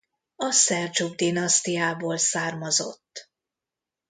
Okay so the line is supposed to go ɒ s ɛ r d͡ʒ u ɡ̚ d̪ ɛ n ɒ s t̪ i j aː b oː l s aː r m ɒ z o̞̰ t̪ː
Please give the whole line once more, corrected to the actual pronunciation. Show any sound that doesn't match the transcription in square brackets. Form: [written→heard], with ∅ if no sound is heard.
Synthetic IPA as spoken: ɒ s ɛ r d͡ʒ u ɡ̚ d̪ [ɛ→i] n ɒ s t̪ i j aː b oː l s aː r m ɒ z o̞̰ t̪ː